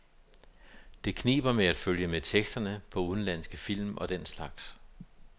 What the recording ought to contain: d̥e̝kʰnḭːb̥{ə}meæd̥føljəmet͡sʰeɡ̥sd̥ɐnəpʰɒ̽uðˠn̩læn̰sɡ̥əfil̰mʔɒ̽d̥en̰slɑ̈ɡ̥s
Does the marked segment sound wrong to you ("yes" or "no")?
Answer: yes